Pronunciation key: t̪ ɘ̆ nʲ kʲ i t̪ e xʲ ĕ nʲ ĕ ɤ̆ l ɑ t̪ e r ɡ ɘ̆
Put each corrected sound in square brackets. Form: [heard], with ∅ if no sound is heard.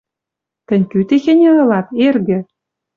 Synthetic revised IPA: t̪ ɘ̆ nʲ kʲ [y] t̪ e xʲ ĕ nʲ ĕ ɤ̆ l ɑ t̪ e r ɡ ɘ̆